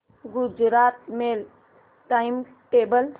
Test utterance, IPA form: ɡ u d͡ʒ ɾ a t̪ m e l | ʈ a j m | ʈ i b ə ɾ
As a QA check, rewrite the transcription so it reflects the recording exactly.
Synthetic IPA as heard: ɡ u d͡ʒ ɾ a t̪ m e l | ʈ a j m | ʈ e b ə l

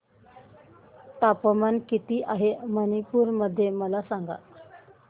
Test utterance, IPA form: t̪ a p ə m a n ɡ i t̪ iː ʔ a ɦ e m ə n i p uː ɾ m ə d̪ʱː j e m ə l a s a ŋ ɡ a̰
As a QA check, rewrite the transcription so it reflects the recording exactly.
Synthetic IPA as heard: t̪ a p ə m a n k i t̪ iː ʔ a ɦ e m ə n i p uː ɾ m ə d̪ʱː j e m ə l a s a ŋ ɡ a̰

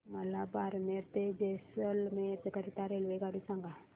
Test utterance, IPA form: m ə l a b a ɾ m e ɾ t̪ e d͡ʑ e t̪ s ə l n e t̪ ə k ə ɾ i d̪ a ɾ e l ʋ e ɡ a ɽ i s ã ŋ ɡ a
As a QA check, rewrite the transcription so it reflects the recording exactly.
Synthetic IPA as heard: m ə l a b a ɾ m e ɾ t̪ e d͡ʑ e s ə l m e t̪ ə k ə ɾ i t̪ a ɾ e l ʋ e ɡ a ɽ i s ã ŋ ɡ a

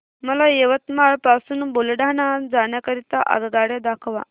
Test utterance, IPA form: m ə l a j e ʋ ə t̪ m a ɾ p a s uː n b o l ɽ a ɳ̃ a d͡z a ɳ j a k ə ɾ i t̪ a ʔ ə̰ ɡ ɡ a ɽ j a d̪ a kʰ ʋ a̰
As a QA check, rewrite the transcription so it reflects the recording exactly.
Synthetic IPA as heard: m ə l a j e ʋ ə t̪ m a ɭ p a s uː n b o l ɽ a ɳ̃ a d͡z a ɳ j a k ə ɾ i t̪ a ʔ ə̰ ɡ ɡ a ɽ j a d̪ a kʰ ʋ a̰

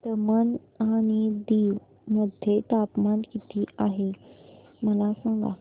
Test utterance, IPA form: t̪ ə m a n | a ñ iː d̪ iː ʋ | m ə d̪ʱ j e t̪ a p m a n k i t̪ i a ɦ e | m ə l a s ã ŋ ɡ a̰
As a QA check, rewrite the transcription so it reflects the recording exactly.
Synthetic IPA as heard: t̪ ə m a n | a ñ i d̪ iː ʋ | m ə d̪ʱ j e t̪ a p m a n k i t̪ i a ɦ e | m ə l a s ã ŋ ɡ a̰

